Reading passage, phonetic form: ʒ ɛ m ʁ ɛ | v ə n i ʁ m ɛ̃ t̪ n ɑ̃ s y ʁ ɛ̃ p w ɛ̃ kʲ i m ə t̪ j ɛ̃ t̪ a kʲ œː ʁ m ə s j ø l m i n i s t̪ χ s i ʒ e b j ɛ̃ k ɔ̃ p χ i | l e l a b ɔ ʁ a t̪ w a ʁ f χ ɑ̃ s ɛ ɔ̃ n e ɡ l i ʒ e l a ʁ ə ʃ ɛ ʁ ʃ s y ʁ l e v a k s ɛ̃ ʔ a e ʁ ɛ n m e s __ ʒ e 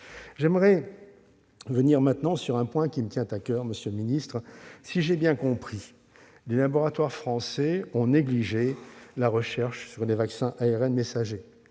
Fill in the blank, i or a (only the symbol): a